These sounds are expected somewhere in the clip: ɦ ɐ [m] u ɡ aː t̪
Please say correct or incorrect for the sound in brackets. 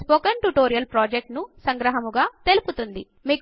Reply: correct